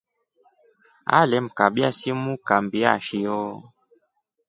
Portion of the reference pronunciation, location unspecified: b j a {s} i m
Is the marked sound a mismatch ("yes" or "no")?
no